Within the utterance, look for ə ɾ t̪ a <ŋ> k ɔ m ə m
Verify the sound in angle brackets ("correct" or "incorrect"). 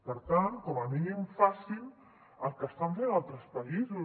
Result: incorrect